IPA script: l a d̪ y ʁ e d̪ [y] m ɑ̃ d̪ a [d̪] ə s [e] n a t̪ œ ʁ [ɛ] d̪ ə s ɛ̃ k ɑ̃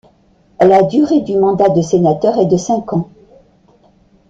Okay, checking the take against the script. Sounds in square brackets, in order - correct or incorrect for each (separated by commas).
correct, correct, correct, correct